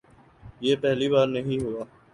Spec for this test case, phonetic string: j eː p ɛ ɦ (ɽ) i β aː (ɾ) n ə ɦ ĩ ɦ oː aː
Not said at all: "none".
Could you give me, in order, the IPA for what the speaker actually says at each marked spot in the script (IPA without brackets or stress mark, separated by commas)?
l, ɾ